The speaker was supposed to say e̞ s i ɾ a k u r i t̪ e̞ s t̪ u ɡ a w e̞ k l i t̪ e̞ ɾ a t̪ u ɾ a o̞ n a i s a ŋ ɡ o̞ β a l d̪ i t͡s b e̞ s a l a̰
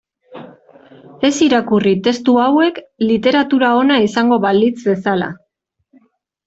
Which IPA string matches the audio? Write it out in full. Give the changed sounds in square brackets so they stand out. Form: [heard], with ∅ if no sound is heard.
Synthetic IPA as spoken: e̞ s i ɾ a k u r i t̪ e̞ s t̪ u [∅] a w e̞ k l i t̪ e̞ ɾ a t̪ u ɾ a o̞ n a i s a ŋ ɡ o̞ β a l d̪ i t͡s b e̞ s a l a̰